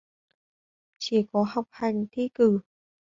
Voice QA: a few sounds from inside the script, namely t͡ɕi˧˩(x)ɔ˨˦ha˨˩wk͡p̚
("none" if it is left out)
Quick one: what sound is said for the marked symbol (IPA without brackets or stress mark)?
k